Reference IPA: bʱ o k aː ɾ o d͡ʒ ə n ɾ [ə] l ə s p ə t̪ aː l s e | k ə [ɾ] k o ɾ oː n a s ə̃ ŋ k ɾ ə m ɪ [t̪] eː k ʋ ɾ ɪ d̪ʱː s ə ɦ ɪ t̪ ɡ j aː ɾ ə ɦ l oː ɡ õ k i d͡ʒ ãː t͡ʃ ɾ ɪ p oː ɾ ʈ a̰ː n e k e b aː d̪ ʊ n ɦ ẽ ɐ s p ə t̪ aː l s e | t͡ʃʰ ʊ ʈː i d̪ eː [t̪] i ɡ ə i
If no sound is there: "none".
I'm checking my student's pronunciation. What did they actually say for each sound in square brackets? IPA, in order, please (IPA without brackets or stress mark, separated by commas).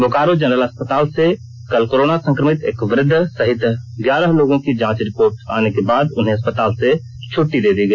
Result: ə, l, t̪, d̪